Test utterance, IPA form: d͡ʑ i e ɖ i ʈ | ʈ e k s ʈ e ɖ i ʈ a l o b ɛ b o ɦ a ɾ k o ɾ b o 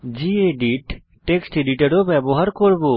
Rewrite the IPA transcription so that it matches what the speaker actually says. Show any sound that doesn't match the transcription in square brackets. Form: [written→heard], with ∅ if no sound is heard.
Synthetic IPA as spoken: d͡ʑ i e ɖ i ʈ | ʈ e k s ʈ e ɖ i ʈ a [l→ɾ] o b ɛ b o ɦ a ɾ k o ɾ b o